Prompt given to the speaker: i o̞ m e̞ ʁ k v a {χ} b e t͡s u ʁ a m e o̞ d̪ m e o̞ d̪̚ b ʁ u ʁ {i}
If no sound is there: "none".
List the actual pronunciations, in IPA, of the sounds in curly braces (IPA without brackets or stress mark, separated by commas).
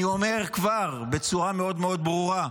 ʁ, a